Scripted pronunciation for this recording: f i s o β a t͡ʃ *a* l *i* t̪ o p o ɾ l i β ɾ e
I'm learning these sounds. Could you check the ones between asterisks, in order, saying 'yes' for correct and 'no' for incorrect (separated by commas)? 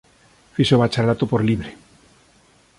yes, no